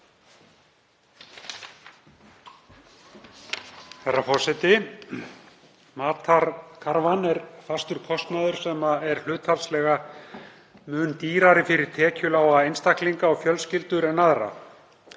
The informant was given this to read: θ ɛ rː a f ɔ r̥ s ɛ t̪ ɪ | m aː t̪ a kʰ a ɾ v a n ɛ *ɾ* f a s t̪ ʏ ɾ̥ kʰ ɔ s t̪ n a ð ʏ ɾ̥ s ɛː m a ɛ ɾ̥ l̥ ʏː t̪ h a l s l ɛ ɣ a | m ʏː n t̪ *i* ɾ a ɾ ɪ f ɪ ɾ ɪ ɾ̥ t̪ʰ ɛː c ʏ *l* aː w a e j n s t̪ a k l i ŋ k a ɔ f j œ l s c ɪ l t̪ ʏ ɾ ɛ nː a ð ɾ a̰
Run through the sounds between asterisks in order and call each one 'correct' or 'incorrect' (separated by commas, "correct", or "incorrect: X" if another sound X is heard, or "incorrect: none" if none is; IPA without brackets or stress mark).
correct, incorrect: iː, correct